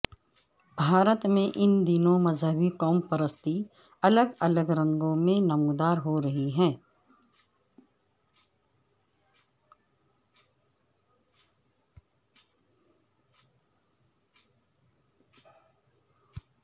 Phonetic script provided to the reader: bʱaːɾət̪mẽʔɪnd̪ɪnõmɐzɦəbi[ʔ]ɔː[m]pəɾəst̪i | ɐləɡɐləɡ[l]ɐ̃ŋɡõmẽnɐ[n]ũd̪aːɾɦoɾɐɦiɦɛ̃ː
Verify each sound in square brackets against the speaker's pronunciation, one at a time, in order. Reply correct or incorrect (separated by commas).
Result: incorrect, correct, incorrect, incorrect